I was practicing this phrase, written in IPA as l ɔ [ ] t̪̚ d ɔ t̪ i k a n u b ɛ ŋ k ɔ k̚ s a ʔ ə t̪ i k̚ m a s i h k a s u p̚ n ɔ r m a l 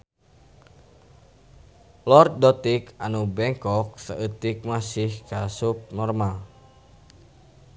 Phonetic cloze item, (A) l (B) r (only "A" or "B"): B